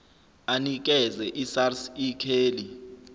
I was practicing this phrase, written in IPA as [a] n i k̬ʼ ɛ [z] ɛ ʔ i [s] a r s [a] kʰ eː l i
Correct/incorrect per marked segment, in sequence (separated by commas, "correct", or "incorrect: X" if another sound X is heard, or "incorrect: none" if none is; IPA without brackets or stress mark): correct, correct, correct, incorrect: i